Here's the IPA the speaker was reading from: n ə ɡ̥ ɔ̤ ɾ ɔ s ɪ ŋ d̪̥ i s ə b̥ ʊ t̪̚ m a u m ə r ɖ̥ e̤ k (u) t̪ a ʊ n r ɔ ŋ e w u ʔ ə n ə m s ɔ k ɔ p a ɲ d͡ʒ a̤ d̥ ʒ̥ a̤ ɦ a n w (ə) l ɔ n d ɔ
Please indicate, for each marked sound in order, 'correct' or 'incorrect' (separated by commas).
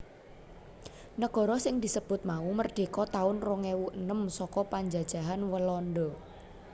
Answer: incorrect, correct